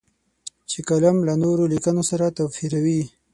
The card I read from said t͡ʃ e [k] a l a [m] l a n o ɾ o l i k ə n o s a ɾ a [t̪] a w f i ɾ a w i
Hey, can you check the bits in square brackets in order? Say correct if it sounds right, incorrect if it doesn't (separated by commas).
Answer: correct, correct, correct